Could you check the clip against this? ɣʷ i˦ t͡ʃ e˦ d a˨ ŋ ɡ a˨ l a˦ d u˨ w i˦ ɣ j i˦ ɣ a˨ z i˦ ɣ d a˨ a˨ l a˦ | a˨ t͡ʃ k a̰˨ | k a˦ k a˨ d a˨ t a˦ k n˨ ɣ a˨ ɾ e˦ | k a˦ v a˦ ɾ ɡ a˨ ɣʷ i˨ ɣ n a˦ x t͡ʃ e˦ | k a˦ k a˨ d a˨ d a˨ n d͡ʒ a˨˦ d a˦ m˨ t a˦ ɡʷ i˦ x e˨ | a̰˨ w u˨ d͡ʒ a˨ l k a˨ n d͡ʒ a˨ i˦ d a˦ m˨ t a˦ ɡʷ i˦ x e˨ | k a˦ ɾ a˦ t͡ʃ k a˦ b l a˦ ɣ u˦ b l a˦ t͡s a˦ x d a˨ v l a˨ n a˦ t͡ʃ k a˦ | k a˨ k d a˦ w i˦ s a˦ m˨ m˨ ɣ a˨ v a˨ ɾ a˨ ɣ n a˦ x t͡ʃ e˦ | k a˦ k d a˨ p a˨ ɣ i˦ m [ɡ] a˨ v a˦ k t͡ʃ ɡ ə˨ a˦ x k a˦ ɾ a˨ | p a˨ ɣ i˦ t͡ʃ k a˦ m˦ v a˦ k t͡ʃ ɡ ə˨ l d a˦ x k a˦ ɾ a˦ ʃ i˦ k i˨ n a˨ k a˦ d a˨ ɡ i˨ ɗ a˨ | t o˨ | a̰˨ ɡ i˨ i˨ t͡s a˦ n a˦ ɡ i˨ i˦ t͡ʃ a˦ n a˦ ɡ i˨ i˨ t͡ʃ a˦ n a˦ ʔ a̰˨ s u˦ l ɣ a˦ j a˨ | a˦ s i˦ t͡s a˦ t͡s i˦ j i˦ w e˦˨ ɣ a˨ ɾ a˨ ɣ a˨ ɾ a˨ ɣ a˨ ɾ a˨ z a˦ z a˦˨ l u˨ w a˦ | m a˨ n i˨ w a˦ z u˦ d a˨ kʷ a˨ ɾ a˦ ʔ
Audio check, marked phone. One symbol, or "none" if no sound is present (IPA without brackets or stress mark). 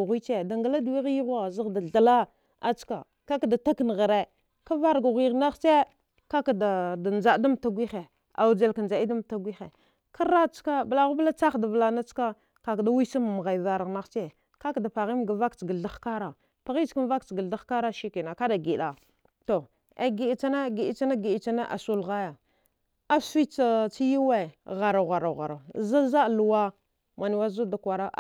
ɡ